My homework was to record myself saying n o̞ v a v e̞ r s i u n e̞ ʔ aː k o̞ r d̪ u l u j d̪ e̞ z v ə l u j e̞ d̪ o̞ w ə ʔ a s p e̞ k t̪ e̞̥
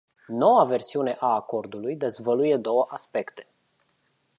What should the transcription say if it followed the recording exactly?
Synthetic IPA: n o̞ w a v e̞ r s i u n e̞ ʔ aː k o̞ r d̪ u l u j d̪ e̞ z v ə l u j e̞ d̪ o̞ w ə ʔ a s p e̞ k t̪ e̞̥